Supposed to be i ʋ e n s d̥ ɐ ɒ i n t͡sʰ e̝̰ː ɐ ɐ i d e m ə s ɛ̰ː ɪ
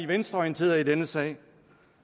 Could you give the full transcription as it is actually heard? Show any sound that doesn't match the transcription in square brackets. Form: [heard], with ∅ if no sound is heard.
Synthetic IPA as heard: i ʋ e n s d̥ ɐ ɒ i n t͡sʰ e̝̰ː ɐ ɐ i d e [n] ə s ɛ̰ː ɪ